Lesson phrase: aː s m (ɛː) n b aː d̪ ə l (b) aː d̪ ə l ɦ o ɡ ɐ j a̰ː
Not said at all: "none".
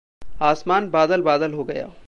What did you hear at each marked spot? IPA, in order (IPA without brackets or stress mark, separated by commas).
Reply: aː, b